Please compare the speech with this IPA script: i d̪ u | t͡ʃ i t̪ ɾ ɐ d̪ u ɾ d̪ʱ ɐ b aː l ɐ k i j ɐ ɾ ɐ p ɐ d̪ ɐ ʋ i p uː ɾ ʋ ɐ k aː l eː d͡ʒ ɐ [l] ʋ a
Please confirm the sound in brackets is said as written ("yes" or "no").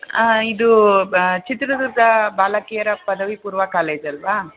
yes